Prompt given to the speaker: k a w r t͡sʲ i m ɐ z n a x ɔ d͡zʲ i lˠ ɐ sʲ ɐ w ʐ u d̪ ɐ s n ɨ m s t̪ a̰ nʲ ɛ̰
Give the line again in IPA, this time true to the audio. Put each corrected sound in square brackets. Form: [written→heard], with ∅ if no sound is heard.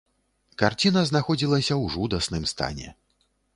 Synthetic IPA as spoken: k a [w→∅] r t͡sʲ i [m→n] ɐ z n a x ɔ d͡zʲ i lˠ ɐ sʲ ɐ w ʐ u d̪ ɐ s n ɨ m s t̪ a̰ nʲ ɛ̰